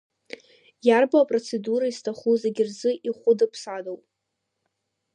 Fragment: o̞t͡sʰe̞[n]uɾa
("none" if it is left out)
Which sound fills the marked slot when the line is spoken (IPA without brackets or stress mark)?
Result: d